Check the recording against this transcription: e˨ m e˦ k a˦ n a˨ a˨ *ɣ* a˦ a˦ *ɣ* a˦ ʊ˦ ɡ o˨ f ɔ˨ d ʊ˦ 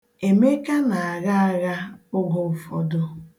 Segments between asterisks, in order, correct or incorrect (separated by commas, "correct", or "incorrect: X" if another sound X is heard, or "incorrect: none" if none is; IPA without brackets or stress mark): correct, correct